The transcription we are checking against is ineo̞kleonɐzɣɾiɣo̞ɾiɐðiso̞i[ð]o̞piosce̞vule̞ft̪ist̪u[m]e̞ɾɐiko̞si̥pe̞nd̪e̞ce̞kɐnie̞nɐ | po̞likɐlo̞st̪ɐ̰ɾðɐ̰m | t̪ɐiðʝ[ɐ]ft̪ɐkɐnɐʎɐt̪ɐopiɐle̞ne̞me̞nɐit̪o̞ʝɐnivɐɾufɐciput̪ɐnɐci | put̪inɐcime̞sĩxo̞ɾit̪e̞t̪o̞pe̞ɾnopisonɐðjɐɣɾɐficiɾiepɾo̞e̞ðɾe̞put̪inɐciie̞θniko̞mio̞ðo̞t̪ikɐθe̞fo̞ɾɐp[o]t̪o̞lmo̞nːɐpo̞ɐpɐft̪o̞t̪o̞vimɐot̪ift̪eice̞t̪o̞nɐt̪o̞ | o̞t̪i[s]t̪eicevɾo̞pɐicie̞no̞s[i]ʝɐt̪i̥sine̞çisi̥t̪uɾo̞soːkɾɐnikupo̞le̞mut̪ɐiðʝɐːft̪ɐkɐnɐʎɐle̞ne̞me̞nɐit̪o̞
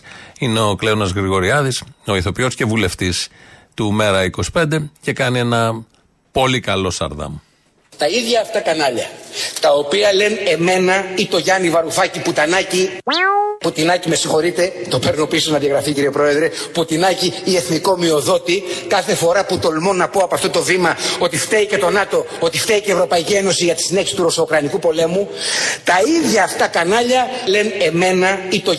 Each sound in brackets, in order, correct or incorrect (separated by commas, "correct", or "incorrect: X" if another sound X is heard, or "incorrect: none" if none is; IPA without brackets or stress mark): incorrect: θ, correct, incorrect: ɐː, incorrect: u, incorrect: f, correct